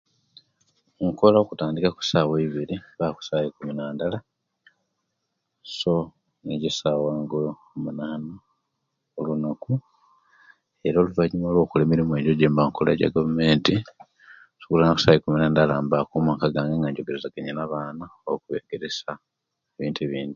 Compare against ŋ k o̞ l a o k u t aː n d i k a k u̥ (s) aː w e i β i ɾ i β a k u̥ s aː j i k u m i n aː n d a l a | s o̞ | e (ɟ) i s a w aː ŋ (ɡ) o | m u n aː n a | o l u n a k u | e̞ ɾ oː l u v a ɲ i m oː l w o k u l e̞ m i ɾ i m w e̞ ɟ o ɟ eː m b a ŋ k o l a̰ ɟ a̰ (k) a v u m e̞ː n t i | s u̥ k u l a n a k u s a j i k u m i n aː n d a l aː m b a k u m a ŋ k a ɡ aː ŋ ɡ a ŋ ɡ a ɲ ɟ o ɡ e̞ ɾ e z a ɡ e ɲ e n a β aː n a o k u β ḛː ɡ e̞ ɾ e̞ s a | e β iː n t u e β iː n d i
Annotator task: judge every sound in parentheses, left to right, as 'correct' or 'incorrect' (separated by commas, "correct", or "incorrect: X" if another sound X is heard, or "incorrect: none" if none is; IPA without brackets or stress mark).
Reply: correct, correct, correct, incorrect: ɡ